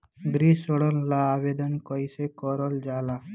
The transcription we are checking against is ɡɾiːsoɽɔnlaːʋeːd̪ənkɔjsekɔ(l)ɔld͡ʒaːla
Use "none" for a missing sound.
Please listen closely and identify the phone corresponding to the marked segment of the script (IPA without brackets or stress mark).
ɾ